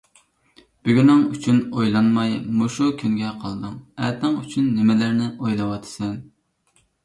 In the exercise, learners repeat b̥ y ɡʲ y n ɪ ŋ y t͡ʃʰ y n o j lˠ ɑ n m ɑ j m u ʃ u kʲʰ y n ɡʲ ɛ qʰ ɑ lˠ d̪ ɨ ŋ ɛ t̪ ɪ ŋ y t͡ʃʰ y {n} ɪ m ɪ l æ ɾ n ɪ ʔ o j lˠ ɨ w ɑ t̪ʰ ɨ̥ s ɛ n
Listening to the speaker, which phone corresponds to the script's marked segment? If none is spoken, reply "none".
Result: nː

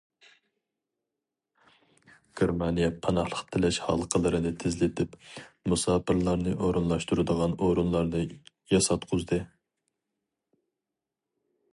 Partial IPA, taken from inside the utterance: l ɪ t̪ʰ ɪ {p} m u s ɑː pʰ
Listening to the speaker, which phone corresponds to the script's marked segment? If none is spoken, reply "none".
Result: p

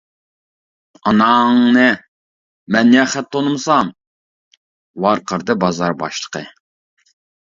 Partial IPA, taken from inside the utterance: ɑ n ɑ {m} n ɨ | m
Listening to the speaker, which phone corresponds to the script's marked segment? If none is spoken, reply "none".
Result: ŋ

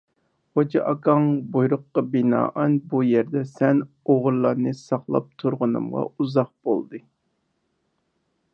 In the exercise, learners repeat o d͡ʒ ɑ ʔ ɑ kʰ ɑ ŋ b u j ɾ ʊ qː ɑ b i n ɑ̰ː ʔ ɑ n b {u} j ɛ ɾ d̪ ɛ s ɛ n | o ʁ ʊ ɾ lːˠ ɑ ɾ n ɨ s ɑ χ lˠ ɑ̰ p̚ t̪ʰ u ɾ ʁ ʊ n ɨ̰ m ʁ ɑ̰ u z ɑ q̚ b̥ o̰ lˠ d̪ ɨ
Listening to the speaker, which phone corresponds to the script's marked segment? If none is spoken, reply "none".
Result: u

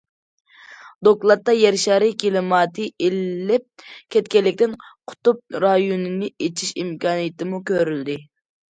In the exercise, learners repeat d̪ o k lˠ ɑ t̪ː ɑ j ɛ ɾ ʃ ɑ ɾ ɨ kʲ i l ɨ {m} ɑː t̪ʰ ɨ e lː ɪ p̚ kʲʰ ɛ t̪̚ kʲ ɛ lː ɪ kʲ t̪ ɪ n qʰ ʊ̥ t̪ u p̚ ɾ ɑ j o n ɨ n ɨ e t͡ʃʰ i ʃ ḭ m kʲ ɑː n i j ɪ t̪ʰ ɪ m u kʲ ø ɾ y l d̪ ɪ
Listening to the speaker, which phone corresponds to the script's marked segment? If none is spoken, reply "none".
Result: m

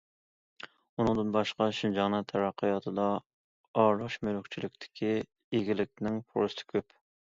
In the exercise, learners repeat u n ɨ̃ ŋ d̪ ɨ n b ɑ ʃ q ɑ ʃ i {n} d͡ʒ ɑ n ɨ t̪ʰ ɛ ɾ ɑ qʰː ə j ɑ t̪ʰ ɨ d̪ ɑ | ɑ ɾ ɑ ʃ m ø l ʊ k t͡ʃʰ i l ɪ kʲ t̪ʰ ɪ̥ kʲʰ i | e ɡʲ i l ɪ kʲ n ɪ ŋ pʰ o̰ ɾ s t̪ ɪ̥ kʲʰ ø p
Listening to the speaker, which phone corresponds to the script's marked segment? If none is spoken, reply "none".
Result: n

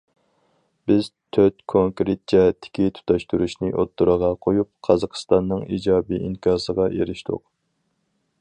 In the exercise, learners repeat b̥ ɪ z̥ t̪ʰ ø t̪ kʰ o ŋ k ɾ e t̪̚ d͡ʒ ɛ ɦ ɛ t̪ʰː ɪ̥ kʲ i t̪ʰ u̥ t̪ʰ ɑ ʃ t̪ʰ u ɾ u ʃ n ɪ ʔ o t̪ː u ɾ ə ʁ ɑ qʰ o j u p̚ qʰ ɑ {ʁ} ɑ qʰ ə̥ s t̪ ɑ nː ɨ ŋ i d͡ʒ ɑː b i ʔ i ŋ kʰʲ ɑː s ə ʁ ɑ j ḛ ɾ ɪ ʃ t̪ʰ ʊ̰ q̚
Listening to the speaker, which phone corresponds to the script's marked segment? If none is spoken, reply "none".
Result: z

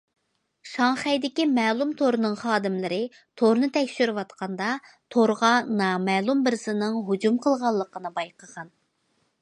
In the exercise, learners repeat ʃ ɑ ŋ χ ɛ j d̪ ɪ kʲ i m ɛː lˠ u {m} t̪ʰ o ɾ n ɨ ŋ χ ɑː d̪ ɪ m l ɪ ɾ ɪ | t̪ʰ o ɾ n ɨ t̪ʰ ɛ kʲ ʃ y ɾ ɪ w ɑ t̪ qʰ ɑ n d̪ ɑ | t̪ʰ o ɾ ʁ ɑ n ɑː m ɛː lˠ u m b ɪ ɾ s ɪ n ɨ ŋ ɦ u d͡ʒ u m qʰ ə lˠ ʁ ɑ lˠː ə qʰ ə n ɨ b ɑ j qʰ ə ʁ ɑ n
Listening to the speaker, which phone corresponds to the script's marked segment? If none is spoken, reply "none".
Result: m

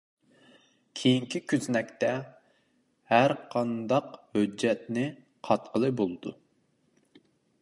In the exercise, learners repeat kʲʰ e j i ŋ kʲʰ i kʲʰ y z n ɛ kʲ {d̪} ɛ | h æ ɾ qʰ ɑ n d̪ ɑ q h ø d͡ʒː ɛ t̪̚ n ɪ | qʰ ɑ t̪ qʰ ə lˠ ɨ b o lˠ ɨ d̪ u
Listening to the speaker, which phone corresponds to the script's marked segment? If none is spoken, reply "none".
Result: t̪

